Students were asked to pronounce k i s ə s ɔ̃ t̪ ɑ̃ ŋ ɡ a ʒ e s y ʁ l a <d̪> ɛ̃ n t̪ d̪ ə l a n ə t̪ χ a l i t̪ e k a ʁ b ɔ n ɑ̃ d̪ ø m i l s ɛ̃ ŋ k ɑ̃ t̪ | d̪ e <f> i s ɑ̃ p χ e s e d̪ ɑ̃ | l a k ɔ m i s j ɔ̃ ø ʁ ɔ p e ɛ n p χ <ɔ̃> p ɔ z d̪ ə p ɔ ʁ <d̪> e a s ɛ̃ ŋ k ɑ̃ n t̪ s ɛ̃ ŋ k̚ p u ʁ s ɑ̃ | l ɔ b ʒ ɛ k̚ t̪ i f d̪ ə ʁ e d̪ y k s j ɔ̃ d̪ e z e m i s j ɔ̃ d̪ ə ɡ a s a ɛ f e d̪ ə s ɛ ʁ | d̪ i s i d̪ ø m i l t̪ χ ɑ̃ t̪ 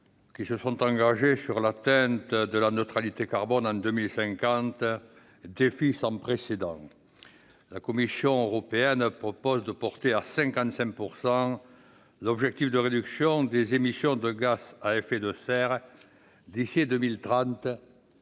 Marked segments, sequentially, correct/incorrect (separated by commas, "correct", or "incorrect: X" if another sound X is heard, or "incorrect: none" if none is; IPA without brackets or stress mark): incorrect: t̪, correct, incorrect: ɔ, incorrect: t̪